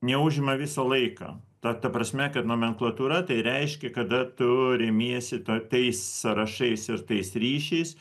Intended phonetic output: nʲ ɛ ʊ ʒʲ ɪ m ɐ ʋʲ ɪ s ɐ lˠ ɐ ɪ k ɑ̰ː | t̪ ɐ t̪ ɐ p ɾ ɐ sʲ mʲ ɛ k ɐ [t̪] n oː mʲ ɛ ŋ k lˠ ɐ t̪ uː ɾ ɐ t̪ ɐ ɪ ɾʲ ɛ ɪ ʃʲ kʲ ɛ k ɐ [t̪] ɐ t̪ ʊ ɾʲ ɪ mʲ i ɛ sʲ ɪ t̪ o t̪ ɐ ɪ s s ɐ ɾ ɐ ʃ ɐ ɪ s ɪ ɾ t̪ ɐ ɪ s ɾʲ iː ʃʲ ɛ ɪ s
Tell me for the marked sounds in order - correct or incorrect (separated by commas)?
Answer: correct, incorrect